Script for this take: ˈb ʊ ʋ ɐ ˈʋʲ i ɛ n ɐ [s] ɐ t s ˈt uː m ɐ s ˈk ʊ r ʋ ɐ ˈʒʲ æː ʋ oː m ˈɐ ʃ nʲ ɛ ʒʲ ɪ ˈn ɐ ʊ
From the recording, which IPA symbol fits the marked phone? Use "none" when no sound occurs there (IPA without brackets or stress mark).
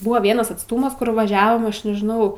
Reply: s